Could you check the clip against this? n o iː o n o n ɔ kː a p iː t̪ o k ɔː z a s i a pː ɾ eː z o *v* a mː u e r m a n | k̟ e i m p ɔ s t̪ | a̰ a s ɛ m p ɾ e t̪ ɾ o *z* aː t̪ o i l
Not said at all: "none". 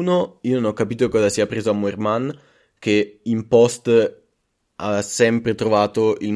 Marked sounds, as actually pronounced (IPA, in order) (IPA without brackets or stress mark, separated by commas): none, v